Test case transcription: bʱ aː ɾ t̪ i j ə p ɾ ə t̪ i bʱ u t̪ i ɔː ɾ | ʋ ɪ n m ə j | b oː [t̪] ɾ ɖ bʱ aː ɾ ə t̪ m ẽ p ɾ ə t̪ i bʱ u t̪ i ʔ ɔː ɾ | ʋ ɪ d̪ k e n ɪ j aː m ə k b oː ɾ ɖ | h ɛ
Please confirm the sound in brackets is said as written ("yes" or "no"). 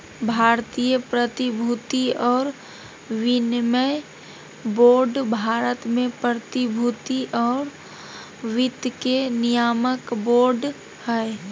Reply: no